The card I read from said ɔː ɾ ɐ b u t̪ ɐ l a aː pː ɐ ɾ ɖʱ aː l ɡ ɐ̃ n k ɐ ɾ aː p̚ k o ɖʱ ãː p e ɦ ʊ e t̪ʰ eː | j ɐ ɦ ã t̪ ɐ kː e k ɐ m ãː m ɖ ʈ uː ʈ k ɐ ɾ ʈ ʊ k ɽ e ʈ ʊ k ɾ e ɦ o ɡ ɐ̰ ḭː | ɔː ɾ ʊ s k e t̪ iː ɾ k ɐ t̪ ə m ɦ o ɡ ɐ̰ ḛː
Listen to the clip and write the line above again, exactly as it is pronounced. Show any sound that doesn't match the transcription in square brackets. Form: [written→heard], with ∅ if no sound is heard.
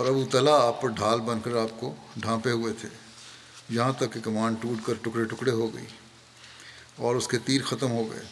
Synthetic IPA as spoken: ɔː ɾ ɐ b u t̪ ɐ l a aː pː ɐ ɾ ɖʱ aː l [ɡ→b] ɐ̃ n k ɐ ɾ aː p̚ k o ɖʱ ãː p e ɦ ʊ e t̪ʰ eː | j ɐ ɦ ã t̪ ɐ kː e k ɐ m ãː [m→ɳ] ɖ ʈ uː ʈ k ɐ ɾ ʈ ʊ k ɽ e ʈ ʊ k [ɾ→ɽ] e ɦ o ɡ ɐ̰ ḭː | ɔː ɾ ʊ s k e t̪ iː ɾ [k→x] ɐ t̪ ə m ɦ o ɡ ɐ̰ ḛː